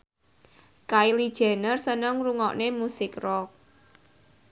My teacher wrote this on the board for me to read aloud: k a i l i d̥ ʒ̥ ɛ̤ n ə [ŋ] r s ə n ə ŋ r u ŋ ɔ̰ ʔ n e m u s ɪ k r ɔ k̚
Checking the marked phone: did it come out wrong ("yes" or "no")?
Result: yes